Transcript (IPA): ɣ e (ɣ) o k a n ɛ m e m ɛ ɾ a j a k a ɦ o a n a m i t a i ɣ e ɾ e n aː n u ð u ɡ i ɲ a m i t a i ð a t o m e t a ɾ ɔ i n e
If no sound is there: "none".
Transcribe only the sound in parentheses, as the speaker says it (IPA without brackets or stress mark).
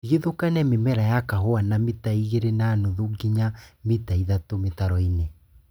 ð